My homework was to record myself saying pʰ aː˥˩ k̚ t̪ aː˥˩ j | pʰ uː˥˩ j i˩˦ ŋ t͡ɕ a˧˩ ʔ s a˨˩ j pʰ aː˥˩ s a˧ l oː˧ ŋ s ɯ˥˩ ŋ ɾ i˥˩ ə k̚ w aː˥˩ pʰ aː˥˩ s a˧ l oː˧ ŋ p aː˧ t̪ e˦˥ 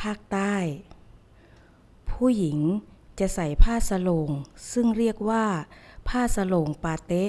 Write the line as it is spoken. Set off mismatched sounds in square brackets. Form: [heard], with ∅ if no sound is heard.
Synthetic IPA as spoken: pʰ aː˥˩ k̚ t̪ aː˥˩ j | pʰ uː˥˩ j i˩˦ ŋ t͡ɕ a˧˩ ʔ s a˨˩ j pʰ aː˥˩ s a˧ l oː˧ ŋ s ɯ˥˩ ŋ ɾ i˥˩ ə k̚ w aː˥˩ pʰ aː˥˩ s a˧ l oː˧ ŋ p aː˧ t̪ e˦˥